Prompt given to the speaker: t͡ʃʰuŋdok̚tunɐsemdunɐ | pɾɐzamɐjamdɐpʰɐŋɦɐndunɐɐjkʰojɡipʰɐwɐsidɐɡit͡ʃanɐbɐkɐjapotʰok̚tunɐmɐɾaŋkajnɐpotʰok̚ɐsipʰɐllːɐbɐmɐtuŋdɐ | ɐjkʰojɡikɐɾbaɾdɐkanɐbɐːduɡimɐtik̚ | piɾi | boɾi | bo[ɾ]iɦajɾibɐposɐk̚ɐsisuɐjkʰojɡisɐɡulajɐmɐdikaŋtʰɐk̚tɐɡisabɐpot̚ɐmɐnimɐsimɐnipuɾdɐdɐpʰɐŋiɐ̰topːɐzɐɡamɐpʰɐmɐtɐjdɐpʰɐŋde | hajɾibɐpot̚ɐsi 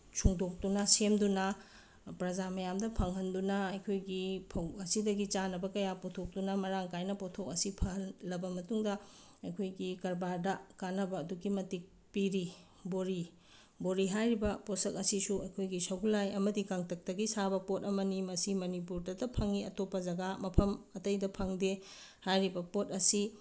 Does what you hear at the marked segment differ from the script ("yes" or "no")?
no